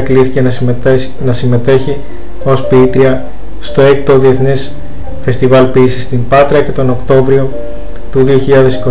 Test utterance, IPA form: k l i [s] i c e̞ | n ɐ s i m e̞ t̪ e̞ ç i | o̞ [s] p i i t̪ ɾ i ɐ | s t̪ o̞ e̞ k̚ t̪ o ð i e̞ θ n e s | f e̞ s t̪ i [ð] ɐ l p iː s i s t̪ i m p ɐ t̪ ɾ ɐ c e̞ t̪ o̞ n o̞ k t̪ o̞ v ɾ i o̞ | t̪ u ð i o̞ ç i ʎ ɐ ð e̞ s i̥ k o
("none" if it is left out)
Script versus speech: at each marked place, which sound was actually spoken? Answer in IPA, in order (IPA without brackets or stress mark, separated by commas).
θ, s, v